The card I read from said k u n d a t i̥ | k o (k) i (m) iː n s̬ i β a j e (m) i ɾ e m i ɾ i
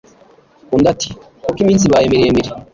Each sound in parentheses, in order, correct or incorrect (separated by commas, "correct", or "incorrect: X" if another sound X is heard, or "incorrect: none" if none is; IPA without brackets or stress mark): correct, correct, correct